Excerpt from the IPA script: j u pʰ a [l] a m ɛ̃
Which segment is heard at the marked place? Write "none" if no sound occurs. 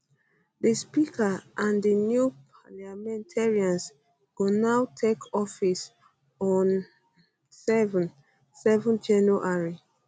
l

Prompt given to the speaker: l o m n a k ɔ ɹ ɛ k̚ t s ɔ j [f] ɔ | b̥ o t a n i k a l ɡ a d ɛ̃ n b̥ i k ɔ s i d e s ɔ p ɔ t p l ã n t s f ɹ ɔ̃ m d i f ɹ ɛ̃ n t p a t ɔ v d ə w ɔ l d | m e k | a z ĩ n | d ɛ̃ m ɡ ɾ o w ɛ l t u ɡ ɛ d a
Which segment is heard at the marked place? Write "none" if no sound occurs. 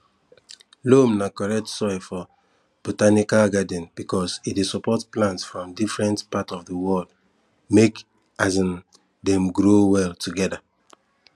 f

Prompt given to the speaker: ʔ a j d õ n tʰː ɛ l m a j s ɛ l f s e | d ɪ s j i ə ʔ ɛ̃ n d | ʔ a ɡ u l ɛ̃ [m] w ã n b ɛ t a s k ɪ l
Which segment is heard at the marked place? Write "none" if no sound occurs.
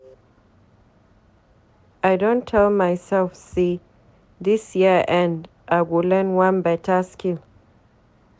n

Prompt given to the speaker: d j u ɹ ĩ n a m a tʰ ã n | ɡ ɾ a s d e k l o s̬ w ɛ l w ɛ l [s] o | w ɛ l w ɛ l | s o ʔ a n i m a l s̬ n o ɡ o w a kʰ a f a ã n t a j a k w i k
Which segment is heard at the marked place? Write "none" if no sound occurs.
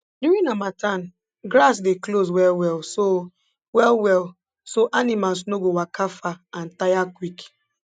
s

